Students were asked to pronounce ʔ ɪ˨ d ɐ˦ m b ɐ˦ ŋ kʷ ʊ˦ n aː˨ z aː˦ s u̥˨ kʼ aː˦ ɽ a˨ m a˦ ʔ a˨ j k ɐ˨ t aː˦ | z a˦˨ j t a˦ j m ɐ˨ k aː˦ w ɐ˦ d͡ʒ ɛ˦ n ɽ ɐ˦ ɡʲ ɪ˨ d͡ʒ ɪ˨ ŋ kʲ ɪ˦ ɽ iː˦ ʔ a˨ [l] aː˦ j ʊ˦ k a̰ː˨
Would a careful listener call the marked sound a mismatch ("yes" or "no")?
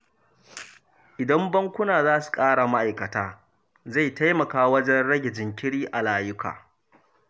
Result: no